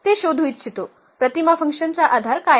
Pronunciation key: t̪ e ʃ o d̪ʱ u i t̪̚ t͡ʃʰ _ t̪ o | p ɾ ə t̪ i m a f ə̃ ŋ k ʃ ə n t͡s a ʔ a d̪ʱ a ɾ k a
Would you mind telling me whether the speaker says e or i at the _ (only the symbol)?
i